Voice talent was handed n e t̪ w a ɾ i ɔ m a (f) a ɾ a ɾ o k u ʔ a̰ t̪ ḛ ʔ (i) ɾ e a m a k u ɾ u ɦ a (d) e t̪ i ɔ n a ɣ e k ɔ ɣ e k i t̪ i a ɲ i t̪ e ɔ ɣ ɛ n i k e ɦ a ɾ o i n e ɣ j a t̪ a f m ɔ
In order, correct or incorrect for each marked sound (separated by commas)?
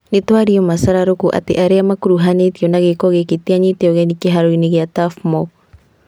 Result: incorrect, incorrect, incorrect